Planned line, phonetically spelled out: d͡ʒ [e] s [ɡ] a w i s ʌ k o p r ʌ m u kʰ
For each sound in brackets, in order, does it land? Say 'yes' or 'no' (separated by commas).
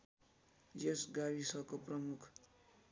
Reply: yes, yes